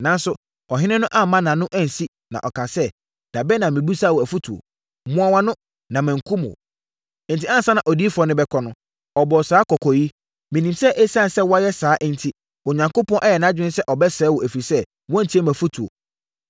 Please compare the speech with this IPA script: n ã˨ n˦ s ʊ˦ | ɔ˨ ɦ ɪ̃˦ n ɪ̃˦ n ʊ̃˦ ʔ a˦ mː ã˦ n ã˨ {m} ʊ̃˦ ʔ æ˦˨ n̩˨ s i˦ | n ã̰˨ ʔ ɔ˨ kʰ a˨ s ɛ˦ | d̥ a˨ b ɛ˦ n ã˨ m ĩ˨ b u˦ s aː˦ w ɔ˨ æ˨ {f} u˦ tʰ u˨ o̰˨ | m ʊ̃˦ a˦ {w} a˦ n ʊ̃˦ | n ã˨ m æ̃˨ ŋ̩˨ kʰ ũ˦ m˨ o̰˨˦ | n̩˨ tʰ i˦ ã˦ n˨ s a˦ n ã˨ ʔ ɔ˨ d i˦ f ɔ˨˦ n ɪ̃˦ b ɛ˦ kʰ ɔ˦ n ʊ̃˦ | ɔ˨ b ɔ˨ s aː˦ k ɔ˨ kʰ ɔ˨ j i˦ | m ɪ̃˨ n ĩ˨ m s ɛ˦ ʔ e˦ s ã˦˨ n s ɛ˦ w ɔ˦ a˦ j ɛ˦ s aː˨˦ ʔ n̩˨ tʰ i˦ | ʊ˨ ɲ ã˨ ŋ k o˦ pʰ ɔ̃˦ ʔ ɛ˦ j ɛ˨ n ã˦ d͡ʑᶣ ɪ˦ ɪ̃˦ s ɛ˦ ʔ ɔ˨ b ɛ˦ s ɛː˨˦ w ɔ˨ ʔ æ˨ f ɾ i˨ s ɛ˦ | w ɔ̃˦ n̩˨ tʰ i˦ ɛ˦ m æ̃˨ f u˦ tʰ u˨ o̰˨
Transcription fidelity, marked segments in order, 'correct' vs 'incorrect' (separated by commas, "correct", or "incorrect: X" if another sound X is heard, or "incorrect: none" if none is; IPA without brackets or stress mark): incorrect: n, correct, correct